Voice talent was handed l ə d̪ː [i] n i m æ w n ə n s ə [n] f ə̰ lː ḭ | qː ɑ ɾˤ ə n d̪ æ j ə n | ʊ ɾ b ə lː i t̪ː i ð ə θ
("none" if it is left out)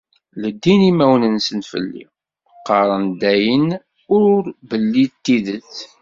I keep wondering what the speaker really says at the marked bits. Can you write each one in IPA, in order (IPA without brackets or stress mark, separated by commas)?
i, n